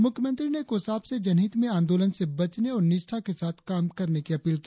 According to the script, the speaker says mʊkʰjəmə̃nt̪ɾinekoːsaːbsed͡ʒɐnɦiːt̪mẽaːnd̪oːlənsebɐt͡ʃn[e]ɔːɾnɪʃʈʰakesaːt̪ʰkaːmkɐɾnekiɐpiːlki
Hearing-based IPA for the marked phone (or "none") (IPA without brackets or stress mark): e